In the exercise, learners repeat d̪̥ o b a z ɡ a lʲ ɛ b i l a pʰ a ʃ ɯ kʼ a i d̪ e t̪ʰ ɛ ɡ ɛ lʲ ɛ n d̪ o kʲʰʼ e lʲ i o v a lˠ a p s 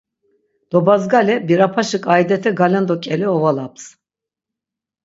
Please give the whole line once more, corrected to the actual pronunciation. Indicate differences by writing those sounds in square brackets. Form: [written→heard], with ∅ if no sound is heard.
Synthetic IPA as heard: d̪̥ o b a z ɡ a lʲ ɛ b i [l→ɾ] a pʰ a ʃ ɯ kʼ a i d̪ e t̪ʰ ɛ ɡ [ɛ→a] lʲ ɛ n d̪ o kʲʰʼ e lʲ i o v a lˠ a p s